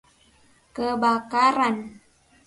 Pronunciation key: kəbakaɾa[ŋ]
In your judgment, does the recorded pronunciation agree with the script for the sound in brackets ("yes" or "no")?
no